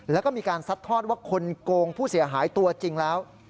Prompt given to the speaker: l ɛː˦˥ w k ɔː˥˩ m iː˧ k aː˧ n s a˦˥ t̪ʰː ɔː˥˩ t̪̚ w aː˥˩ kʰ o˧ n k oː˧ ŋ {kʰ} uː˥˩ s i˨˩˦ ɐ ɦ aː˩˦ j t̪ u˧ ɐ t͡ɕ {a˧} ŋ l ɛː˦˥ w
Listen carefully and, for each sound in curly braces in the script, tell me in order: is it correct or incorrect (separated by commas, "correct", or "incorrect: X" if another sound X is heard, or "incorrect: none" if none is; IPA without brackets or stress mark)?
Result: incorrect: pʰ, incorrect: i˧